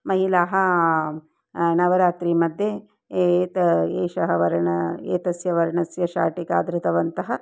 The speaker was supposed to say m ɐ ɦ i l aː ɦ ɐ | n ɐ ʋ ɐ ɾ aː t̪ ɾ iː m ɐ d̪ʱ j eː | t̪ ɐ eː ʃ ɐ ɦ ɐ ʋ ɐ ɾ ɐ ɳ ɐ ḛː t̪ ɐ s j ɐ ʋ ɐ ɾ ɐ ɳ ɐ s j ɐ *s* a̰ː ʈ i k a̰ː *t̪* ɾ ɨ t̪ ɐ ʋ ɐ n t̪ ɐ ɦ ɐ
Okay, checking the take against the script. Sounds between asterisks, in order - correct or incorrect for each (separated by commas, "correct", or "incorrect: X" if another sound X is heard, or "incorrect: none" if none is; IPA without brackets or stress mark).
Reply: incorrect: ʃ, incorrect: d̪